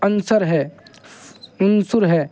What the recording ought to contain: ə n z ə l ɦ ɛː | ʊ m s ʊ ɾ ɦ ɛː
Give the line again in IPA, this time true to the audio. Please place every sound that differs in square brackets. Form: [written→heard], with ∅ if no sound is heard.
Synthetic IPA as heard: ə n [z→s] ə [l→ɾ] ɦ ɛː | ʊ [m→n] s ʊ ɾ ɦ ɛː